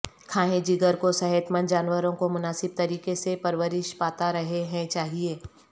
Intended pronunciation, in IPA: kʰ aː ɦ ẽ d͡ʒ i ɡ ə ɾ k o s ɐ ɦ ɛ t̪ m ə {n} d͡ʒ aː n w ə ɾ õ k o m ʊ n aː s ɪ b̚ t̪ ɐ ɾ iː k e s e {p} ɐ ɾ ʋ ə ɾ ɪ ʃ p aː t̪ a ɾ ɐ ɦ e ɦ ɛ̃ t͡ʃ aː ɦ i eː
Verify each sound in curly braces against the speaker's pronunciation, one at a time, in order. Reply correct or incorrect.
correct, correct

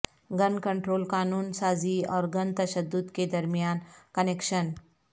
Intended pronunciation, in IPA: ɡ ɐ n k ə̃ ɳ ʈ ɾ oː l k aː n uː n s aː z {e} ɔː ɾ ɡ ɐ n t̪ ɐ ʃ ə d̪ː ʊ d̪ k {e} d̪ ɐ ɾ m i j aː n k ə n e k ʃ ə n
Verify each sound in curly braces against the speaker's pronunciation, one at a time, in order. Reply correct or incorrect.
incorrect: i, correct

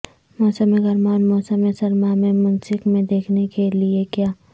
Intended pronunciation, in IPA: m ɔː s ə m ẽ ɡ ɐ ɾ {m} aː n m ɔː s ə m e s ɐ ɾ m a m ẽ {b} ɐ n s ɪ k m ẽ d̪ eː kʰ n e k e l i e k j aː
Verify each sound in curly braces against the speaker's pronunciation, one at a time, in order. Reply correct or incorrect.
correct, incorrect: m

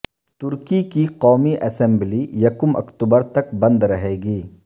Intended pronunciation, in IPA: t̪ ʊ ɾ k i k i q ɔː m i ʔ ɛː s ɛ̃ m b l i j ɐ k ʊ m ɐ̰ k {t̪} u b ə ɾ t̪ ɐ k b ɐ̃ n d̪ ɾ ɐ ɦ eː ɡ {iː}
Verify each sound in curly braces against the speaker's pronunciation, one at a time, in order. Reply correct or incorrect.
correct, correct

